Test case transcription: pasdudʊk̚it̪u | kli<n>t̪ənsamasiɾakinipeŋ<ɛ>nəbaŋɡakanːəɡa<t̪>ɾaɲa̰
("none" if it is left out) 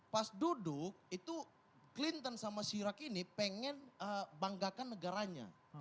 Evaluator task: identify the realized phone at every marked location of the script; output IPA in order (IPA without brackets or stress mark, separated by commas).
n, ɛ, none